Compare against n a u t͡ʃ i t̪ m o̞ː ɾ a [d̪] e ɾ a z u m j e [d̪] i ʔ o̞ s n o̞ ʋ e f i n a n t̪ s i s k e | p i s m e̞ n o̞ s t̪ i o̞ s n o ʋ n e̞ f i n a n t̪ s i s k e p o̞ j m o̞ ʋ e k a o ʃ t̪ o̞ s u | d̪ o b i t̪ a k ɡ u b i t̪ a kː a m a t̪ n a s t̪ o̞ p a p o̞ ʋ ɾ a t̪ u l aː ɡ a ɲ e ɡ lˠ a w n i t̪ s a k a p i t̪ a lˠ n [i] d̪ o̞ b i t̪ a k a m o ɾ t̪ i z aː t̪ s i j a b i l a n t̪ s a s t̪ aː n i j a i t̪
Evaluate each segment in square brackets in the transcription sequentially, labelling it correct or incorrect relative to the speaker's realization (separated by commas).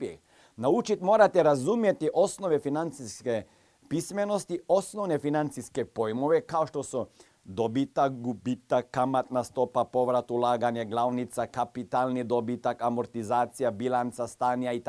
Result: incorrect, incorrect, correct